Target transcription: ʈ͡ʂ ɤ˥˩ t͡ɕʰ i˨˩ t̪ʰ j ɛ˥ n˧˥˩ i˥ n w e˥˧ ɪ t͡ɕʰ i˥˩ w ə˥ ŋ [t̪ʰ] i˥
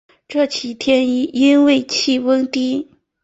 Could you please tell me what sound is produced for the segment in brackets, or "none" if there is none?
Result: t̪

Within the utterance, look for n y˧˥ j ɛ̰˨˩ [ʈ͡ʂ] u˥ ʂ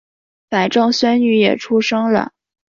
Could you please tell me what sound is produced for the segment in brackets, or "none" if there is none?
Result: ʈ͡ʂʰ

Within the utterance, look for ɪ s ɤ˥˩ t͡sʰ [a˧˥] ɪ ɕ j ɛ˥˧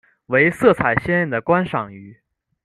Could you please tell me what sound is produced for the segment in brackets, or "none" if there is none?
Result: a˨˩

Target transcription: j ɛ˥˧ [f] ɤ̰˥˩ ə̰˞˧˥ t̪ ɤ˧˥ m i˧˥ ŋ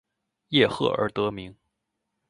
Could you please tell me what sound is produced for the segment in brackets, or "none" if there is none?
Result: x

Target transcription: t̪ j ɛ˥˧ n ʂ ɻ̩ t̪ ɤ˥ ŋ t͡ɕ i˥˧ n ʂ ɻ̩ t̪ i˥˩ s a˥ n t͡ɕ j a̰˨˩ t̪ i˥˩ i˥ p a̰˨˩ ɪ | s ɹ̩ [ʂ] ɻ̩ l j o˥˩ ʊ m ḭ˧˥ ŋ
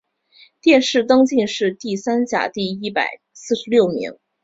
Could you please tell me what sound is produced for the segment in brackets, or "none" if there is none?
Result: ʂ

